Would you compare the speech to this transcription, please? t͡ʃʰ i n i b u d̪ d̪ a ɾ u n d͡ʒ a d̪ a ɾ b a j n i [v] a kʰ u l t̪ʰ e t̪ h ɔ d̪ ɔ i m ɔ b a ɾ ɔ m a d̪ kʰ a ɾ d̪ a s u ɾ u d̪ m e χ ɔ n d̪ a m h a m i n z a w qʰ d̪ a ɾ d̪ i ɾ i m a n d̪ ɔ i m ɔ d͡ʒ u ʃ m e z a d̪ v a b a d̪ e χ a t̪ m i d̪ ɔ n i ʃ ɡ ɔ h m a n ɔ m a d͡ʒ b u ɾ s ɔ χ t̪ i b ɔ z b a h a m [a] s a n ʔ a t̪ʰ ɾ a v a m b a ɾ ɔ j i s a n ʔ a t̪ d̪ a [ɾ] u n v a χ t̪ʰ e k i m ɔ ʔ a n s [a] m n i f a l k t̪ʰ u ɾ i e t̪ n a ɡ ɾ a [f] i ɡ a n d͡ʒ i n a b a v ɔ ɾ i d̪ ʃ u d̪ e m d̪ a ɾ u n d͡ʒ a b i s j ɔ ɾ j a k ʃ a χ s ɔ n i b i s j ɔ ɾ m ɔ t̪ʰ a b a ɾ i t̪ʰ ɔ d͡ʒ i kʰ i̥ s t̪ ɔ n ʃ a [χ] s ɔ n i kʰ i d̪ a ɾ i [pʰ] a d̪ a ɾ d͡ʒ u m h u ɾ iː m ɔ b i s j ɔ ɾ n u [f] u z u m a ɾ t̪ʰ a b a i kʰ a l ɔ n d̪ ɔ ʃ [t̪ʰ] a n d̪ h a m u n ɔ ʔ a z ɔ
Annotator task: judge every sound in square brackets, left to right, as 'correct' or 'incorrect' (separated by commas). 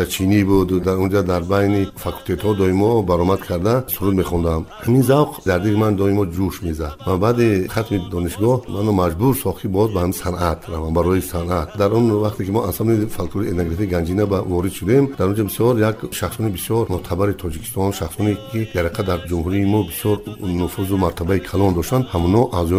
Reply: incorrect, incorrect, correct, correct, correct, correct, incorrect, correct, incorrect